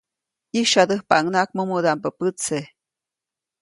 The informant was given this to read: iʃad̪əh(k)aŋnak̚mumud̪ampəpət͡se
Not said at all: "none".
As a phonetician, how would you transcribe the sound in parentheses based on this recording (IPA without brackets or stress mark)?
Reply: p